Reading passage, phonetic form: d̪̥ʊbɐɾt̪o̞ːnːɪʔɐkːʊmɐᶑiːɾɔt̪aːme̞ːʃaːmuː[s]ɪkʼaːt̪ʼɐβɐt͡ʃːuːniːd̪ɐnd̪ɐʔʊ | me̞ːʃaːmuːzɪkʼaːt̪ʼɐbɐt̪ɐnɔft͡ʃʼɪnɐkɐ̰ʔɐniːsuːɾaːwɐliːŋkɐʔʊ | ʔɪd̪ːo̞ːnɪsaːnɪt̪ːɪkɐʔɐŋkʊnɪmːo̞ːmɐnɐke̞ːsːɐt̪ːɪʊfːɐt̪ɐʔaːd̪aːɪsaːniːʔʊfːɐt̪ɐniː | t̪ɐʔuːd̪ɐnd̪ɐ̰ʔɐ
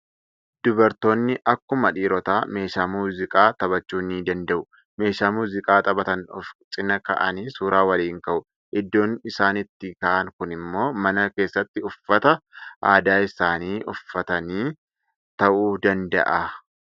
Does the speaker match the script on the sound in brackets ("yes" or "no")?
no